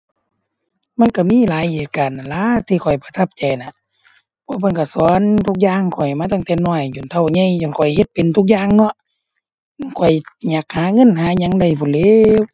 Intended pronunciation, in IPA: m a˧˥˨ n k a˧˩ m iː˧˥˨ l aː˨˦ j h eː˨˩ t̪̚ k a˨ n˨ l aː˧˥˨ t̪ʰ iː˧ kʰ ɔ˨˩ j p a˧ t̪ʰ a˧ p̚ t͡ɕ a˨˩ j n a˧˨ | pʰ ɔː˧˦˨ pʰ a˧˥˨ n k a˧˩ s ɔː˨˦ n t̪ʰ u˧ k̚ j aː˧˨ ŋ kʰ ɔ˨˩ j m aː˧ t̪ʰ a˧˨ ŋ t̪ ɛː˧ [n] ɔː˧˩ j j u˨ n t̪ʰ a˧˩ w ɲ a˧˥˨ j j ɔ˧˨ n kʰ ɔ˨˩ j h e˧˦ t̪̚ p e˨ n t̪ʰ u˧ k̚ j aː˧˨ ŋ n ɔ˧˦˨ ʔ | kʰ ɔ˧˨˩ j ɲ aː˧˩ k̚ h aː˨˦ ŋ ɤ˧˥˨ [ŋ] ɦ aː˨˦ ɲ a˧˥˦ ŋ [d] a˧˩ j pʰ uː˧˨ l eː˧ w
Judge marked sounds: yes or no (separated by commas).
yes, no, yes